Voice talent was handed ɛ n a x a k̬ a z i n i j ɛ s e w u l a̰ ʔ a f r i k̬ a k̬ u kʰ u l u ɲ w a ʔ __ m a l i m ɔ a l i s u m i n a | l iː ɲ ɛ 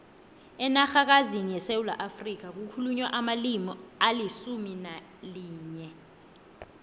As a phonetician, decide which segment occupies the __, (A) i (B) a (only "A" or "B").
B